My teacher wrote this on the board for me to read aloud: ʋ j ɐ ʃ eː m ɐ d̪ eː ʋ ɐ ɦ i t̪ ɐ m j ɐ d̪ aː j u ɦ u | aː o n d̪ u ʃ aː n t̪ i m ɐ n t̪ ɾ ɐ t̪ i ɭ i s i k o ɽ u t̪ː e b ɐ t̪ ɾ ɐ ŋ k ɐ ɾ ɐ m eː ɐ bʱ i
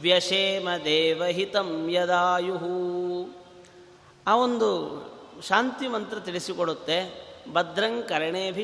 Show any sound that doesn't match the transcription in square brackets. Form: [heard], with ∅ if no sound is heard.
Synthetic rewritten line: ʋ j ɐ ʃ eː m ɐ d̪ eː ʋ ɐ ɦ i t̪ ɐ m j ɐ d̪ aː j u ɦ u | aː o n d̪ u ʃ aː n t̪ i m ɐ n t̪ ɾ ɐ t̪ i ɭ i s i k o ɽ u t̪ː e b ɐ [d̪] ɾ ɐ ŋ k ɐ ɾ ɐ [ɳ] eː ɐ bʱ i